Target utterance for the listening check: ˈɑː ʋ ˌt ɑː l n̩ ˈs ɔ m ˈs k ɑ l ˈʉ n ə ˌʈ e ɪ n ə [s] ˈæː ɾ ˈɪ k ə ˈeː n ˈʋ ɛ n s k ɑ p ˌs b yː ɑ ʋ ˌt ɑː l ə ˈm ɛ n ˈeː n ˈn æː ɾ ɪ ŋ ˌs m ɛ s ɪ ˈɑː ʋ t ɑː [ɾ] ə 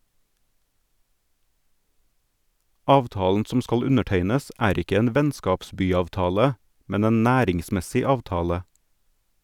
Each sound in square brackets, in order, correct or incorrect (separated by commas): correct, incorrect